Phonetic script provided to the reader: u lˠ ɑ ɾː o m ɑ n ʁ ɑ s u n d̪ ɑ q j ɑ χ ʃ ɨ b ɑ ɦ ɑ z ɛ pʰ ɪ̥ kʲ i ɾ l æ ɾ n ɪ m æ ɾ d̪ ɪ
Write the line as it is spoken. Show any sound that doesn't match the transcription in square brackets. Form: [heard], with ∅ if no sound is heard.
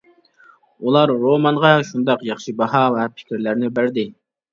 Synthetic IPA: u lˠ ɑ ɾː o m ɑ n ʁ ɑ [ʃ] u n d̪ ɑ q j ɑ χ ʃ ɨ b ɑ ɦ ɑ [v] ɛ pʰ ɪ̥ kʲ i ɾ l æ ɾ n ɪ [b] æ ɾ d̪ ɪ